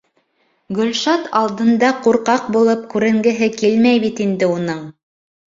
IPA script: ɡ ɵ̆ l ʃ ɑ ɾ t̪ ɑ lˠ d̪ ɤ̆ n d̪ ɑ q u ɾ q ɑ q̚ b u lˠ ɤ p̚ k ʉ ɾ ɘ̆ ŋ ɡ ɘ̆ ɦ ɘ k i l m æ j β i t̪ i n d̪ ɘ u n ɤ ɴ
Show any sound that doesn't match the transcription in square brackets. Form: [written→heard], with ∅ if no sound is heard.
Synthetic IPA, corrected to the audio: ɡ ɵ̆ l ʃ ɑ [ɾ→∅] t̪ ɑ lˠ d̪ ɤ̆ n d̪ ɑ q u ɾ q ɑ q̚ b u lˠ ɤ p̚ k ʉ ɾ ɘ̆ ŋ ɡ ɘ̆ ɦ ɘ k i l m æ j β i t̪ i n d̪ ɘ u n ɤ ɴ